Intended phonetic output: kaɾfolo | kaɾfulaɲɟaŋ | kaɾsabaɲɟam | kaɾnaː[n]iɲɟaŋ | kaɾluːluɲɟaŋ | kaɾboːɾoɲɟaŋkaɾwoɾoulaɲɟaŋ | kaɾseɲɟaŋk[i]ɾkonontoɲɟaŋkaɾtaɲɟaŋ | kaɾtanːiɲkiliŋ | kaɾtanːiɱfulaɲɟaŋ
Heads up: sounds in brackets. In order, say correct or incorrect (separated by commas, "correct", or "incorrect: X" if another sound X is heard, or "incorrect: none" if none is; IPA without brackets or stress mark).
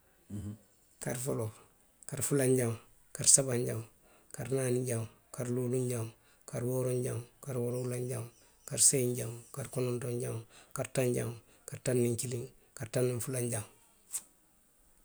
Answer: correct, incorrect: a